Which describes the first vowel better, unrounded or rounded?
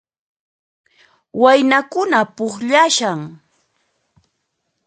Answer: unrounded